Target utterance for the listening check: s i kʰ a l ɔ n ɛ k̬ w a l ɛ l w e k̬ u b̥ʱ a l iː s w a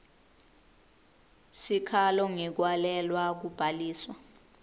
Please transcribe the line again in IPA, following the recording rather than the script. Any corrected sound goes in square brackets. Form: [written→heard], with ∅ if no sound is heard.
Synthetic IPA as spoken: s i kʰ a l ɔ [n→ŋ] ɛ k̬ w a l ɛ l w [e→a] k̬ u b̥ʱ a l iː s w a